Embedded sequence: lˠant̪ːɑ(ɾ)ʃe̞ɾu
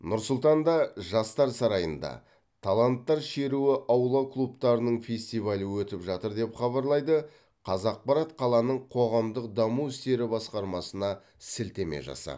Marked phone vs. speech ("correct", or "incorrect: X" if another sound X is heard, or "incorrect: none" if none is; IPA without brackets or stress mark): correct